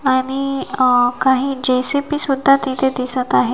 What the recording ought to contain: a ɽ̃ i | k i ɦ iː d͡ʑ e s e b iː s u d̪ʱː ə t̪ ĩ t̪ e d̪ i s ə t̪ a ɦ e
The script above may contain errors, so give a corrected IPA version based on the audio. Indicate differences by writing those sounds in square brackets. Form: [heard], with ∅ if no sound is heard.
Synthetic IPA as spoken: a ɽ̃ i | k [a] ɦ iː d͡ʑ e s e [p] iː s u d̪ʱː [a] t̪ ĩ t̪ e d̪ i s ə t̪ a ɦ e